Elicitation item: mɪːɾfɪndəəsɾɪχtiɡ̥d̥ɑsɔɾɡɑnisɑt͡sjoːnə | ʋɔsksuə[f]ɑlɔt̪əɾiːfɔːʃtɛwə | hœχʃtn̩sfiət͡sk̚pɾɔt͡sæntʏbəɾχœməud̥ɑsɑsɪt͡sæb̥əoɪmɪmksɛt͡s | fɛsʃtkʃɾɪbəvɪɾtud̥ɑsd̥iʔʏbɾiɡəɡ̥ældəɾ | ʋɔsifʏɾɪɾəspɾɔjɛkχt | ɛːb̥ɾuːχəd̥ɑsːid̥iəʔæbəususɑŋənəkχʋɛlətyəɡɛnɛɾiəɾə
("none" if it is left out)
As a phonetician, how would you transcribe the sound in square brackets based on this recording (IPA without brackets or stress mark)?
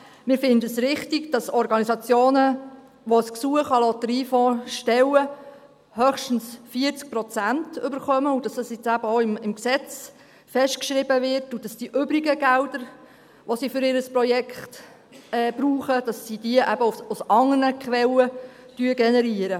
χ